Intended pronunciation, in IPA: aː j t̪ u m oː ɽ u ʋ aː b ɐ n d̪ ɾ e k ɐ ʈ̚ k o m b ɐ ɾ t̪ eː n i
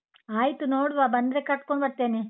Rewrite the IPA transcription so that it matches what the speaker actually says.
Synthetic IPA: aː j t̪ u n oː ɽ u ʋ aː b ɐ n d̪ ɾ e k ɐ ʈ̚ k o ɳ b ɐ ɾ t̪ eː n i